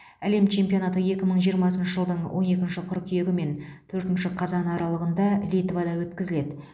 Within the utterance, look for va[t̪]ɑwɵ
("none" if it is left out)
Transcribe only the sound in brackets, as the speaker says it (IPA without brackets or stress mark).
d̪